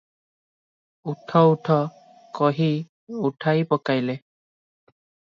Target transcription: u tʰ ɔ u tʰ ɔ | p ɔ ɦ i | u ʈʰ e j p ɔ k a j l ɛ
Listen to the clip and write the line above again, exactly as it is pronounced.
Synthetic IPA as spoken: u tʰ ɔ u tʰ ɔ | k ɔ ɦ i | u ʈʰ a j p ɔ k a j l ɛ